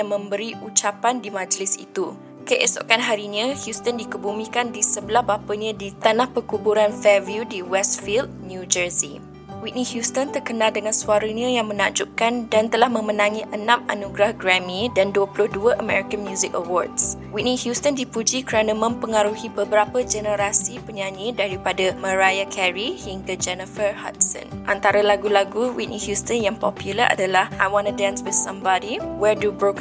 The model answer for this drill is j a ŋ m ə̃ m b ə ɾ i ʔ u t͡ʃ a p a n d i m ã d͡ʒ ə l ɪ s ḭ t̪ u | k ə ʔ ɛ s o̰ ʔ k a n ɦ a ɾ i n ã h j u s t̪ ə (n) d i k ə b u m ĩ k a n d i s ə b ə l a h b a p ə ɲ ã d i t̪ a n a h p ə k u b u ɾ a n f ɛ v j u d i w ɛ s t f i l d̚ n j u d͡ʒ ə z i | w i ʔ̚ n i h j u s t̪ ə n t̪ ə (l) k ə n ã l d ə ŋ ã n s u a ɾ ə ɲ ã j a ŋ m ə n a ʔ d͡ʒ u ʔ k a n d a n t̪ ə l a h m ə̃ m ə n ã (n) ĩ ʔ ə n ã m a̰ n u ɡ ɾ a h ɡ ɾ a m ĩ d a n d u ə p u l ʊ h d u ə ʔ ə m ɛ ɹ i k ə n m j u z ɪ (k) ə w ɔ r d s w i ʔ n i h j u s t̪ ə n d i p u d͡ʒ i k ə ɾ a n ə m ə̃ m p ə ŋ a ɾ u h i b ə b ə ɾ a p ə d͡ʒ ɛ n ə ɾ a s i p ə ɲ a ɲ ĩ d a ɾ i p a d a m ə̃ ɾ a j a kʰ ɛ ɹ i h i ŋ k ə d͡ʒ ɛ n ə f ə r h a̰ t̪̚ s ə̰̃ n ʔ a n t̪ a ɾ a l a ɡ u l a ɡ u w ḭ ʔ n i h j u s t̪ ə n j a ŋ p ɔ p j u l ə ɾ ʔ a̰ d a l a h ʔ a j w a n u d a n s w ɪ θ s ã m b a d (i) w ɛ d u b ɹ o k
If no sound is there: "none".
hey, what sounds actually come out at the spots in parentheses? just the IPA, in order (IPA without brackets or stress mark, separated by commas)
n, r, ŋ, k, i